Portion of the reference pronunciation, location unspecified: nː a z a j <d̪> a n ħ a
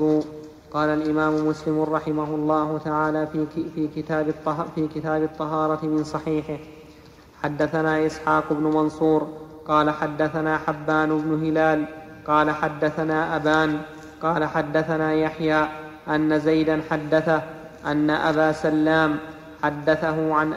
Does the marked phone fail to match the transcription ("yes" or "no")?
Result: no